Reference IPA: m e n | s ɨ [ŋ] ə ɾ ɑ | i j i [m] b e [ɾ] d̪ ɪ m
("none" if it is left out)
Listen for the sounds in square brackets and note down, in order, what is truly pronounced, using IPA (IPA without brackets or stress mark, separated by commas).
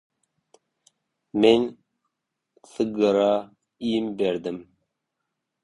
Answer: ɡ, m, ɾ